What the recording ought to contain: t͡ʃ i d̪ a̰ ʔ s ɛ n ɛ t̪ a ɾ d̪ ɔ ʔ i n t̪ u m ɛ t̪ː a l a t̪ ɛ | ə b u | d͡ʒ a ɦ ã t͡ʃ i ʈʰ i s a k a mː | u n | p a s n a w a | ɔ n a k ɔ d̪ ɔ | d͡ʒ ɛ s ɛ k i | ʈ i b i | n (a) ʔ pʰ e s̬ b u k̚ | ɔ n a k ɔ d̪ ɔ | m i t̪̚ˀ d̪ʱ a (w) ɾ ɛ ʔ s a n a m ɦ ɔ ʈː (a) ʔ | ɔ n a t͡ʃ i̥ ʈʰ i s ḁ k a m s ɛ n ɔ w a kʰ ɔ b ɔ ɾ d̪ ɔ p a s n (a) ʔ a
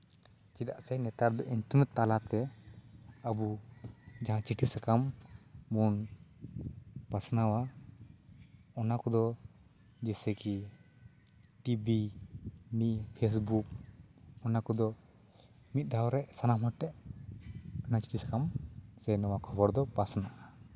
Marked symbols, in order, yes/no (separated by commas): no, yes, no, yes